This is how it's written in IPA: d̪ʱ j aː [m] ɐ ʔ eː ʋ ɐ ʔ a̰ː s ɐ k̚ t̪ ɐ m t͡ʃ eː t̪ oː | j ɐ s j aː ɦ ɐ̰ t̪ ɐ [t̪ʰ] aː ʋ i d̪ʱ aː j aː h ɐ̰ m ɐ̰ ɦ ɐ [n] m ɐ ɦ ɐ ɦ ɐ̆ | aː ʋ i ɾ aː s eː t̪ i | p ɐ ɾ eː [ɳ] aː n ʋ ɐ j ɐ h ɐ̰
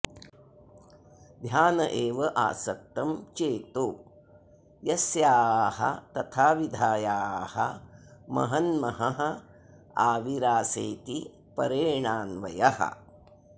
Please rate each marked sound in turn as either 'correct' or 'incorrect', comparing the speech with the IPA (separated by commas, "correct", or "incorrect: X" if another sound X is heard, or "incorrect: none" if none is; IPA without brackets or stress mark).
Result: incorrect: n, correct, correct, correct